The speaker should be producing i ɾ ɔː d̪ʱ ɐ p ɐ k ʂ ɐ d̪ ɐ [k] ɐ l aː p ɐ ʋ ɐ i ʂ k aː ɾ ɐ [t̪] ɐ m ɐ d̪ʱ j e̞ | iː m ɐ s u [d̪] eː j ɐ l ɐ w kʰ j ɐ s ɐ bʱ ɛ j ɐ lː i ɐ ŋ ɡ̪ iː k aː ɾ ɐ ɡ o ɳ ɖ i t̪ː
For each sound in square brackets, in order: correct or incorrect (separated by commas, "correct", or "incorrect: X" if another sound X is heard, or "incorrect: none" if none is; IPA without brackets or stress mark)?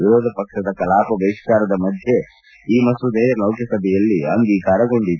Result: correct, incorrect: d̪, correct